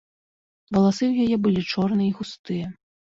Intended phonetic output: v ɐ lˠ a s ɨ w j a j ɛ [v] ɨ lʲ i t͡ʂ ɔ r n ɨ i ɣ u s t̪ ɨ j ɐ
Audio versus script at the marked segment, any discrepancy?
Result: yes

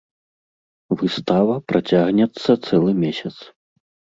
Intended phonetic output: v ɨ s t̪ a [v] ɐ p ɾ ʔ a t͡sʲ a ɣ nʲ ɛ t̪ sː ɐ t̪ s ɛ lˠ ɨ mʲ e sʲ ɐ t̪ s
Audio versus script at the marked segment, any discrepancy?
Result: no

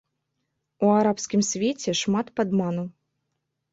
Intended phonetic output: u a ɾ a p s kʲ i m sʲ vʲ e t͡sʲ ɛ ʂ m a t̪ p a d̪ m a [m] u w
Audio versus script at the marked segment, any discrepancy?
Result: yes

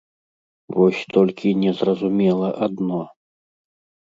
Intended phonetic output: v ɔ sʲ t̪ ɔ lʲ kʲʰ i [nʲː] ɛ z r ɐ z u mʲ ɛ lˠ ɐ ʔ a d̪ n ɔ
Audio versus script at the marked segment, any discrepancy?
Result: yes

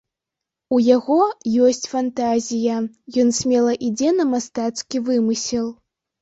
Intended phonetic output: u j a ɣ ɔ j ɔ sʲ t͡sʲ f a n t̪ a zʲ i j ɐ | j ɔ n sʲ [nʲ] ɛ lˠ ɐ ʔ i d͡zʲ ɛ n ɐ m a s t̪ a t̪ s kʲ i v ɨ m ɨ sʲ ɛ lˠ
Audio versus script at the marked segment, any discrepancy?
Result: yes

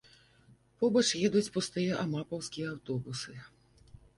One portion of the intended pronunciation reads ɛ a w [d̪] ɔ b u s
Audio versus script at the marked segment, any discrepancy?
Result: yes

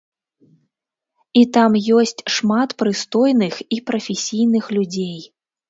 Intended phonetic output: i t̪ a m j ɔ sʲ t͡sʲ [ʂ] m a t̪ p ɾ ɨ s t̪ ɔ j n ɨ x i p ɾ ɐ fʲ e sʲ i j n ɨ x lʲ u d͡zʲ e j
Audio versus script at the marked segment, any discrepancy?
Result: no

